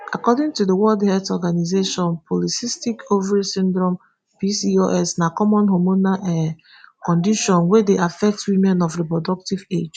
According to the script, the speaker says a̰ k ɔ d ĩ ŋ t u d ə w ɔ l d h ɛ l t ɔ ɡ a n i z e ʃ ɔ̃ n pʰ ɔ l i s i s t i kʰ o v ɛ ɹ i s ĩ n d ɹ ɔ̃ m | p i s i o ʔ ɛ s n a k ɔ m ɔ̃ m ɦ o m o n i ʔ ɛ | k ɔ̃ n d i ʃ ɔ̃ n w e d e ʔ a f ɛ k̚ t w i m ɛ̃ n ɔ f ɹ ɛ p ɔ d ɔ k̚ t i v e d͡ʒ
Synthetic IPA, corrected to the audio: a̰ k ɔ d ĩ ŋ t u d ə w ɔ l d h ɛ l t ɔ ɡ a n i z e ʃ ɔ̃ n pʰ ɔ l i s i s t i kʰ o v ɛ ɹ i s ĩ n d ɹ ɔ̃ m | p i s i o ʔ ɛ s n a k ɔ m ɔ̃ n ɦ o m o n a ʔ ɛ | k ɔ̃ n d i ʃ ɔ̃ n w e d e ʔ a f ɛ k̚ t w i m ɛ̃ n ɔ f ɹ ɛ p ɔ d ɔ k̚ t i v e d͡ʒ